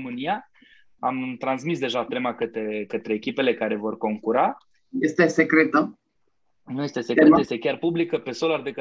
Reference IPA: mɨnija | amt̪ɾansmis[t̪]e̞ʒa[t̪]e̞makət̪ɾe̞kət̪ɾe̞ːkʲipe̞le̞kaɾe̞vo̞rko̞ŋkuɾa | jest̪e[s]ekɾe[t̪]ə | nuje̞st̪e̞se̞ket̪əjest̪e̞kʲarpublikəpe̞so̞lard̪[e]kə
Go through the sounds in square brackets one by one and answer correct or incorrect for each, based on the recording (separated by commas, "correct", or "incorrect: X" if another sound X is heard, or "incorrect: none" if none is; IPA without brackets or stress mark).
incorrect: d̪, correct, correct, correct, correct